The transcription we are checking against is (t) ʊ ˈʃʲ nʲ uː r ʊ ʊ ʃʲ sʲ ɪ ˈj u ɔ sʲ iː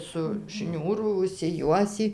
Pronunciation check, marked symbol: incorrect: s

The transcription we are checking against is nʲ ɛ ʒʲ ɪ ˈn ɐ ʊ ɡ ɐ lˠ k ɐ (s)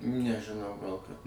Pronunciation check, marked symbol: incorrect: t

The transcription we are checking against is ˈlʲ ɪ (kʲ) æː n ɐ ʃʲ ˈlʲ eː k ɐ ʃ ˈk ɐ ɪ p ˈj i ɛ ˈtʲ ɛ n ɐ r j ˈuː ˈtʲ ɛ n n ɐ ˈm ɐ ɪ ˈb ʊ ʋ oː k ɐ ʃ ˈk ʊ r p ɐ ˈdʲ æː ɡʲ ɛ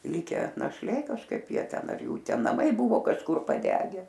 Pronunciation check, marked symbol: correct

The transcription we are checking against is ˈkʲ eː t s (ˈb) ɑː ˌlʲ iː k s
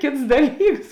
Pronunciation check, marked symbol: incorrect: d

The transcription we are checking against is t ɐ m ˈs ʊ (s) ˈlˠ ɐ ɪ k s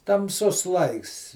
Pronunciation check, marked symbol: correct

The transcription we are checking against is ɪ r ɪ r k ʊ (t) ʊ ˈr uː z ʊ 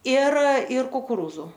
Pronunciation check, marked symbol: incorrect: k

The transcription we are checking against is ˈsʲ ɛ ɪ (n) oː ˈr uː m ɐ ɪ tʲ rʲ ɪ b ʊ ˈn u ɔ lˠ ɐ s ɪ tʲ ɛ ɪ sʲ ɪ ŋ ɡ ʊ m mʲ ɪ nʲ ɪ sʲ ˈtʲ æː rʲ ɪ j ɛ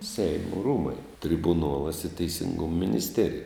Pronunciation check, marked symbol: incorrect: m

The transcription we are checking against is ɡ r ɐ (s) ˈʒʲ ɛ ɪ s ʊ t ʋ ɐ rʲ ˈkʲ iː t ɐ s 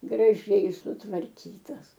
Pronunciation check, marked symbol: incorrect: none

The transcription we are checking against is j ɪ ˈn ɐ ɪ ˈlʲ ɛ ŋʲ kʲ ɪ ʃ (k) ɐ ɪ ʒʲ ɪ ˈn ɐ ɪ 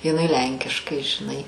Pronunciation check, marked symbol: correct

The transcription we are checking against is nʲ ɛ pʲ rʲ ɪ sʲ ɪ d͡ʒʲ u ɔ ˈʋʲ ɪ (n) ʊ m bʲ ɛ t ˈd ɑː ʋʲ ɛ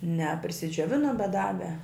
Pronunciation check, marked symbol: correct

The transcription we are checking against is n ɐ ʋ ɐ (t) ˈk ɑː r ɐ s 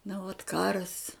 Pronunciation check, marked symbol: correct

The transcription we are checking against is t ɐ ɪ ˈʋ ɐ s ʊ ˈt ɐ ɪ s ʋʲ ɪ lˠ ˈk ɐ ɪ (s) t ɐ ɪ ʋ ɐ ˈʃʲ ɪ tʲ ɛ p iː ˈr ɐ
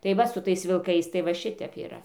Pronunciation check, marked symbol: correct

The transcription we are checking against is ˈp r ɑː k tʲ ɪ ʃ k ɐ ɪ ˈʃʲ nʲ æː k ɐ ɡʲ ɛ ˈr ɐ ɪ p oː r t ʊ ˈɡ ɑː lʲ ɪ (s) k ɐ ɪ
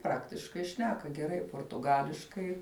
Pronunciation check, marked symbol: incorrect: ʃ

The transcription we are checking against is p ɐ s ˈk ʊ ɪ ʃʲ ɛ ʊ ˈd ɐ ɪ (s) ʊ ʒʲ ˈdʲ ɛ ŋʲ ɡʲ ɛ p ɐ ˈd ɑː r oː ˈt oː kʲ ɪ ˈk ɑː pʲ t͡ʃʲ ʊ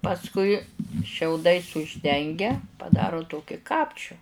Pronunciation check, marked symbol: correct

